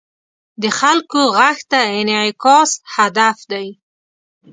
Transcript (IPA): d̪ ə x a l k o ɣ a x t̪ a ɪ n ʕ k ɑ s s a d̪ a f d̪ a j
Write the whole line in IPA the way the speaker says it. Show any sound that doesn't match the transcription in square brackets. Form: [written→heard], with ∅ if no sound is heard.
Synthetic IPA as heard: d̪ ə x a l k o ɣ a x t̪ a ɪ n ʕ k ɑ s [s→h] a d̪ a f d̪ a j